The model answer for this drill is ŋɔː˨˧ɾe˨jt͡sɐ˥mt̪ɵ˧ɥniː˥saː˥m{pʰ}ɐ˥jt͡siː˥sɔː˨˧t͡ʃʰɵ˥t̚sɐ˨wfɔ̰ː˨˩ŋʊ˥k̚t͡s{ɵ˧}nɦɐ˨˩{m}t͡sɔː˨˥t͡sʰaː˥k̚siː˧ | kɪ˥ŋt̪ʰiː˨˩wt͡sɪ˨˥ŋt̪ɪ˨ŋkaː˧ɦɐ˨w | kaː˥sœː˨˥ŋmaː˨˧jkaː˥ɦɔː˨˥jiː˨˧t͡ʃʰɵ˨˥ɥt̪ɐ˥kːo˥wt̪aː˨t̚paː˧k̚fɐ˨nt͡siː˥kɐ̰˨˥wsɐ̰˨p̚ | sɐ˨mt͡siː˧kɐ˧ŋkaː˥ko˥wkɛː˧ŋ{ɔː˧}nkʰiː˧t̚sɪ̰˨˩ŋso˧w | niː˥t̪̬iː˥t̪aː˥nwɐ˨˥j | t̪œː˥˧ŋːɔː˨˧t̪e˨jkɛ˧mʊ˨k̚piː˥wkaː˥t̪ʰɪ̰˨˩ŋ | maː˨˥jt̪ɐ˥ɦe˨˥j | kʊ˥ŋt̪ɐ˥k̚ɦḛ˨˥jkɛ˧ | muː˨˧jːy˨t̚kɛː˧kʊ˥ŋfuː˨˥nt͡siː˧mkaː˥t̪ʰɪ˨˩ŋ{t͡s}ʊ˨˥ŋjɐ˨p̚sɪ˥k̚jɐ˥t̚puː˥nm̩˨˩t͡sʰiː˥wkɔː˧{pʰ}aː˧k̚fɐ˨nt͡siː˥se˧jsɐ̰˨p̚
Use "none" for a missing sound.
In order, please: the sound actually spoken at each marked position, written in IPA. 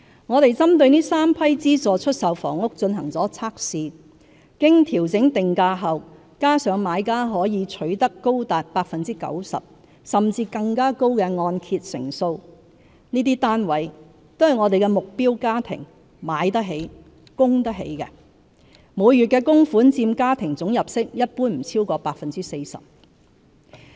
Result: pʰ, ɵ˧, ŋ, ɔː˧, t͡s, p

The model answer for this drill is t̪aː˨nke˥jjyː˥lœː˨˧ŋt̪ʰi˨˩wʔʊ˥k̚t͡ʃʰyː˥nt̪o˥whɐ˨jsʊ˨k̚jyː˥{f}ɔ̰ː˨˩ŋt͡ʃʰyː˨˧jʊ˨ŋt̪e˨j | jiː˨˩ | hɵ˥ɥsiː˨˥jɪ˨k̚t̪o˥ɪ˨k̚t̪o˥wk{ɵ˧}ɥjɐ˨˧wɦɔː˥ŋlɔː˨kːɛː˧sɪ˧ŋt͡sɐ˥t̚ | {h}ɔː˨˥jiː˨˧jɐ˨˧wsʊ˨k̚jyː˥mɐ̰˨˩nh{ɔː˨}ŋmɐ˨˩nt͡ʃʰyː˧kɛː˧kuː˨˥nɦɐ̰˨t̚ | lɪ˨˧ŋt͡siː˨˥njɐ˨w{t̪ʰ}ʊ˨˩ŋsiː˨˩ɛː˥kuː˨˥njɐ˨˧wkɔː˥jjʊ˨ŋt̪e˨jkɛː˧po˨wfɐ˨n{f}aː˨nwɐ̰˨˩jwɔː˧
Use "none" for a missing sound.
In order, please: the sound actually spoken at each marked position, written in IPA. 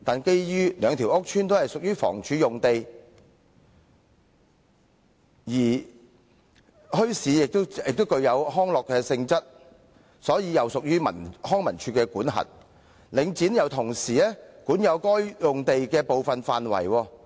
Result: f, ɵ˧, s, ɔː˥, t̪ʰ, f

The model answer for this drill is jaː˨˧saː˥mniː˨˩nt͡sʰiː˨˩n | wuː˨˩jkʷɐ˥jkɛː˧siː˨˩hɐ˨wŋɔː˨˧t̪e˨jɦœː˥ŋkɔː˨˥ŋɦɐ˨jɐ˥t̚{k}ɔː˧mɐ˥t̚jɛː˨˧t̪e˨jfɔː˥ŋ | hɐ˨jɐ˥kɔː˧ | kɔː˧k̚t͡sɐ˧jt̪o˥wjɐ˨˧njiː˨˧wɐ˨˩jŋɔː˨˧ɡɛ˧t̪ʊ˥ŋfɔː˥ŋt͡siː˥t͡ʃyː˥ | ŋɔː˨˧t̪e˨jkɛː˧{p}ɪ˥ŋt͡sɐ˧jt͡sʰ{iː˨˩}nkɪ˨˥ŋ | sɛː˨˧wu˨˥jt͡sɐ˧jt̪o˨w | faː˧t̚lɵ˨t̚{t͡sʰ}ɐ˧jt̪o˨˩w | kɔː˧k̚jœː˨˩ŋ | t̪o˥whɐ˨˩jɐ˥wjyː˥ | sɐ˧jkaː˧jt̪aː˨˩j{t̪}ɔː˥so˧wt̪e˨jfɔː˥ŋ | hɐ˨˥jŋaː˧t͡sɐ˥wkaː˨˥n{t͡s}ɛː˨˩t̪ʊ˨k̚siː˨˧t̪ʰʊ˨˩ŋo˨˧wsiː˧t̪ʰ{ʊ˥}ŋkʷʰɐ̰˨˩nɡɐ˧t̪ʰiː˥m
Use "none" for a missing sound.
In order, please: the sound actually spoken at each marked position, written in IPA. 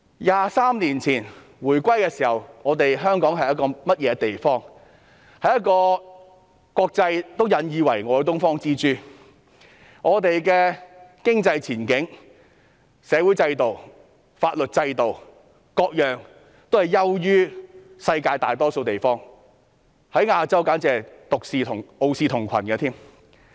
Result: k, k, iː˨˩, t͡s, t̪, t͡s, ʊ˨˩

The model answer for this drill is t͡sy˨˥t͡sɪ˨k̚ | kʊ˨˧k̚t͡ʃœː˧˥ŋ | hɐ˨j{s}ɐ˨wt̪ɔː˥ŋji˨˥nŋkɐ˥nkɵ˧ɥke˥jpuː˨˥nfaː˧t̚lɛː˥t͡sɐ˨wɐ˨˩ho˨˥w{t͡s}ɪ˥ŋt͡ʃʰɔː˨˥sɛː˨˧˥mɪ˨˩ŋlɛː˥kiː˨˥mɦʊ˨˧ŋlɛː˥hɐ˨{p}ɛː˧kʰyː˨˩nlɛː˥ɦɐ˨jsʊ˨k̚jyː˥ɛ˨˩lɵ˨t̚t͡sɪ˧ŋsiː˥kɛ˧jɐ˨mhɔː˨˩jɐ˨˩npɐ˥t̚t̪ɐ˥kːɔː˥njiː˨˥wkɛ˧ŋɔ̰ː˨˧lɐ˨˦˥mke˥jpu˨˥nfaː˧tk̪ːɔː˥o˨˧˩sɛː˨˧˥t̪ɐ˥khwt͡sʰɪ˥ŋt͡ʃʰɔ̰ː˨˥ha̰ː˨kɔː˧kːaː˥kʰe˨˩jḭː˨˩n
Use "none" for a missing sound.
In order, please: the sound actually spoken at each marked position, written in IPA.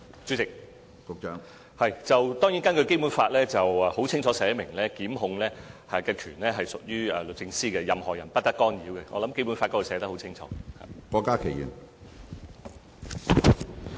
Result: t͡s, t͡sʰ, k

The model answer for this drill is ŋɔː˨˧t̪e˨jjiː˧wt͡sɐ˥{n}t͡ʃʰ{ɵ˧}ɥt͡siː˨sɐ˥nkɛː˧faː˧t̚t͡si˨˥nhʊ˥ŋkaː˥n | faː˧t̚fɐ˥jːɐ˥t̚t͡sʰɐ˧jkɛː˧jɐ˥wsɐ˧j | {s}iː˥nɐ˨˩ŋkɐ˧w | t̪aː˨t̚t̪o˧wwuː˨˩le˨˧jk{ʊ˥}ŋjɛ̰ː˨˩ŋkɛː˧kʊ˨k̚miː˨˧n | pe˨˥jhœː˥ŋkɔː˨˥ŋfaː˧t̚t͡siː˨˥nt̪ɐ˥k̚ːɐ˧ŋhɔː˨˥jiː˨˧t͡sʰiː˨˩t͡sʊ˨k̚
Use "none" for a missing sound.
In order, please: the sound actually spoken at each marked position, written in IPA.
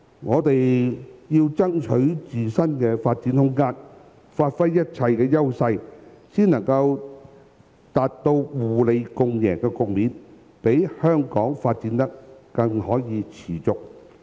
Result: ŋ, ɵ˨˥, s, ʊ˧

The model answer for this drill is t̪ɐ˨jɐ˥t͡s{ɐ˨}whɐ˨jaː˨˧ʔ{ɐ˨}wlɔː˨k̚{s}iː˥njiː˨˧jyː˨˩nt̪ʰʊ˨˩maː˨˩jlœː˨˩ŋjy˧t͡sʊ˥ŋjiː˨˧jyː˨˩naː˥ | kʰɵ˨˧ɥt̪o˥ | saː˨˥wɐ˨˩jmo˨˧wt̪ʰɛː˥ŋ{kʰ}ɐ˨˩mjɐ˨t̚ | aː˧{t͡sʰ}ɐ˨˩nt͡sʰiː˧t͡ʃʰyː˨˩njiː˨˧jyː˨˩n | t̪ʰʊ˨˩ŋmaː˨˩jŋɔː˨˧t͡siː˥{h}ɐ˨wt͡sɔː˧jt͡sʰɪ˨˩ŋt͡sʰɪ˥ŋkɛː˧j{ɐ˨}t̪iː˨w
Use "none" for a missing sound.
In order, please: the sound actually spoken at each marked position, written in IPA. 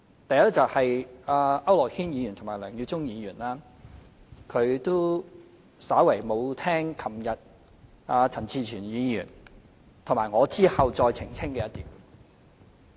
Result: ɐ˨, ɐ˥, h, kʰ, t͡sʰ, h, ɐ˥

